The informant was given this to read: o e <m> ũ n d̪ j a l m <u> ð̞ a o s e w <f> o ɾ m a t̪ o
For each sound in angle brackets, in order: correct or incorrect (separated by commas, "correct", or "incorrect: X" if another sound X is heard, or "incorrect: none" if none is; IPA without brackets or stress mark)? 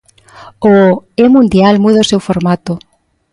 correct, correct, correct